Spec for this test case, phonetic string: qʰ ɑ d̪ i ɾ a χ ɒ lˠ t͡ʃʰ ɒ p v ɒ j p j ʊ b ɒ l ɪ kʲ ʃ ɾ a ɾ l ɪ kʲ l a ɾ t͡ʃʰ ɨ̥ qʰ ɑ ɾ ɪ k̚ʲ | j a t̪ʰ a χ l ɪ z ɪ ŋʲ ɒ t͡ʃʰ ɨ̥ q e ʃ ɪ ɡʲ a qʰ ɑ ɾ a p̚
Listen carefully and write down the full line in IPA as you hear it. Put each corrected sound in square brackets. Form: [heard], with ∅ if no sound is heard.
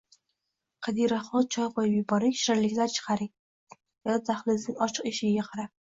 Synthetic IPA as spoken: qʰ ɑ d̪ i ɾ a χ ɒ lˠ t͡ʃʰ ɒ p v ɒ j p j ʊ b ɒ [ɾ] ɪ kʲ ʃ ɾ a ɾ l ɪ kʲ l a ɾ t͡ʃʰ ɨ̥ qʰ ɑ ɾ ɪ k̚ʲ | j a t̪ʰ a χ l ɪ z ɪ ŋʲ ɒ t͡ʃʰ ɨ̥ q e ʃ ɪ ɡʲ a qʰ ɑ ɾ a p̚